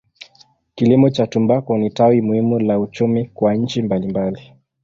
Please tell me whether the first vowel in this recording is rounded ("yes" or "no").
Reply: no